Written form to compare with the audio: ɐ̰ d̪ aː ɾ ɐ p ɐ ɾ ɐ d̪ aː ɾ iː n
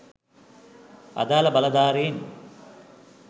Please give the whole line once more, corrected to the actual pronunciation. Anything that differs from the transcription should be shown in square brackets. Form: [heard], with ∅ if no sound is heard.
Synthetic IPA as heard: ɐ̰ d̪ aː [l] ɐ [b] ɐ [l] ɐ d̪ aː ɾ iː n